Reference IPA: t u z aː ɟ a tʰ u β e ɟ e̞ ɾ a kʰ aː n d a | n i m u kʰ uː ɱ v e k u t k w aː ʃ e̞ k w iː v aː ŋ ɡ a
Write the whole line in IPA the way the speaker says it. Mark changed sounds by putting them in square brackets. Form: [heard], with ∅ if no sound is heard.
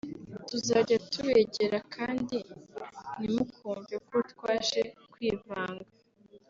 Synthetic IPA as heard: t u z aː ɟ a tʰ u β e ɟ e̞ ɾ a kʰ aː n d [i] | n i m u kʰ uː ɱ v e k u t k w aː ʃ e̞ k w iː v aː ŋ ɡ a